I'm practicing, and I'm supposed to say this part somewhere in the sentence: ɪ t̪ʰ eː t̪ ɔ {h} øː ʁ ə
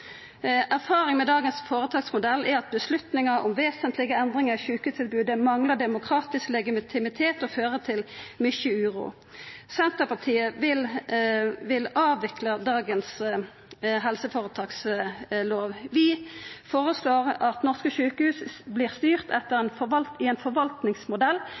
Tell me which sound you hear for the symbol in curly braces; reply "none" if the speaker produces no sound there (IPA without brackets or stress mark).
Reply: f